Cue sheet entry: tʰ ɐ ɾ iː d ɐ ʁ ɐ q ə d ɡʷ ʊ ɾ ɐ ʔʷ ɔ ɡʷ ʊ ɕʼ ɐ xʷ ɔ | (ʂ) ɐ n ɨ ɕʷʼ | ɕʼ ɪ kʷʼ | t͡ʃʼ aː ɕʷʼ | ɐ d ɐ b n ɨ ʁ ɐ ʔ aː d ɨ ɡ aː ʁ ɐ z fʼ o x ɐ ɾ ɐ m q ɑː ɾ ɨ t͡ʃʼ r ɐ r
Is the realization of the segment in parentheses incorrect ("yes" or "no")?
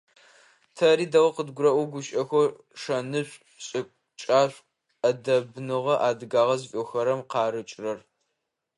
no